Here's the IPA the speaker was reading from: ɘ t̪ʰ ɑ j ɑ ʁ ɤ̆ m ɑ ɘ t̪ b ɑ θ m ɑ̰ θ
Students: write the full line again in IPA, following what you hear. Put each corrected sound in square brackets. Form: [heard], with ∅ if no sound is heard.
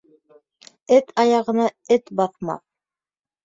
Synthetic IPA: ɘ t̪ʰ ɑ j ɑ ʁ ɤ̆ [n] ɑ ɘ t̪ b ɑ θ m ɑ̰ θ